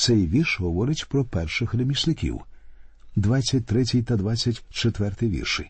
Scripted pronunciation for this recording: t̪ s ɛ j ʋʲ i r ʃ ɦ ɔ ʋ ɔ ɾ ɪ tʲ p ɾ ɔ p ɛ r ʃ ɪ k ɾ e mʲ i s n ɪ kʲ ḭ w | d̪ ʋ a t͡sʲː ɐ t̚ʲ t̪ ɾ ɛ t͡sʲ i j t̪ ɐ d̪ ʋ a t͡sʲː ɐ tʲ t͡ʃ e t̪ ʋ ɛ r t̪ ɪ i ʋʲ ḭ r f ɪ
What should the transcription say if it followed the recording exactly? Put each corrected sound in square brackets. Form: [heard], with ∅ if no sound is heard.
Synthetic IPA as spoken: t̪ s ɛ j ʋʲ i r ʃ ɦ ɔ ʋ ɔ ɾ ɪ tʲ p ɾ ɔ p ɛ r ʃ ɪ [x] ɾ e mʲ i s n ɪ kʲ ḭ w | d̪ ʋ a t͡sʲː ɐ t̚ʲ t̪ ɾ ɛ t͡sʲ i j t̪ ɐ d̪ ʋ a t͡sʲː ɐ tʲ t͡ʃ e t̪ ʋ ɛ r t̪ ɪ [j] ʋʲ ḭ r [ʃ] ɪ